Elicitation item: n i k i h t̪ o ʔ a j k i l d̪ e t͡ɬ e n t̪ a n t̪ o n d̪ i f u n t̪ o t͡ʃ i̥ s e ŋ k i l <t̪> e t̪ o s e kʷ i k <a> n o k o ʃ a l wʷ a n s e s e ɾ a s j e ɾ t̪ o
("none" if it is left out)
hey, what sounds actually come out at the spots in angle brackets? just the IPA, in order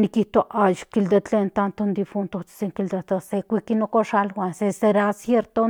d̪, i

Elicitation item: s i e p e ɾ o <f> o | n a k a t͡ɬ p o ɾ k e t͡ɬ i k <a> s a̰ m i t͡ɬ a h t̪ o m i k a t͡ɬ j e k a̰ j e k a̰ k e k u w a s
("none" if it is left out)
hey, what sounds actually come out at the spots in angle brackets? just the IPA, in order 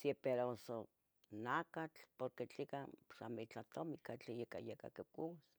s, a

